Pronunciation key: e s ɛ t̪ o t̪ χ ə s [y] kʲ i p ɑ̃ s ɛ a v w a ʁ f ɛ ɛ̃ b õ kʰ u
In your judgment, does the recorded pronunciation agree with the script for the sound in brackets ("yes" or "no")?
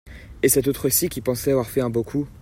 no